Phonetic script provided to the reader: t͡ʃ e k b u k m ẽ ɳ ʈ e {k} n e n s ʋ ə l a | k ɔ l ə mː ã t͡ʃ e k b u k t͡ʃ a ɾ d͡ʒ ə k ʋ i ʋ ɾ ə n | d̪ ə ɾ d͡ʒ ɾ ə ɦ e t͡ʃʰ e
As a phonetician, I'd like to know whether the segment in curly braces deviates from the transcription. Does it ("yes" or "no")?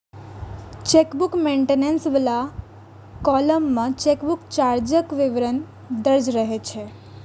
yes